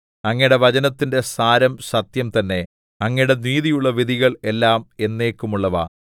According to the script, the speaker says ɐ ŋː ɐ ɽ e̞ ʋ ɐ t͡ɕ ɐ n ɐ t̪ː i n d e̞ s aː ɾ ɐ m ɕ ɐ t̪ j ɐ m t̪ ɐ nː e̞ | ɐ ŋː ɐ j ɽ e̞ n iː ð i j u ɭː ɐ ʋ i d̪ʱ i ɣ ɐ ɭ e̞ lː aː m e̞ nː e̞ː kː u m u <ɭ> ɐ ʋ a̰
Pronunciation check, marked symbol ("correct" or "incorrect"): incorrect